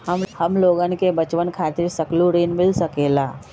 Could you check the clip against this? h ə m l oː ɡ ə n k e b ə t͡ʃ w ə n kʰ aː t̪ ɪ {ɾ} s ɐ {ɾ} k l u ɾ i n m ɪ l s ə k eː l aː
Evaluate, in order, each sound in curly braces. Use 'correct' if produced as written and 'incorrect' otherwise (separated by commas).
correct, incorrect